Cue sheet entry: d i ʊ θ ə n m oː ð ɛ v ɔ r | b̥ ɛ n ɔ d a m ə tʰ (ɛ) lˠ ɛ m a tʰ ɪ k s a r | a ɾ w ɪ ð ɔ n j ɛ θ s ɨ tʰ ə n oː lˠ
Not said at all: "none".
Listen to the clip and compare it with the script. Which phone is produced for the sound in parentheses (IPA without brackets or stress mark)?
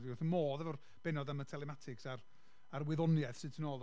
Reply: ɛ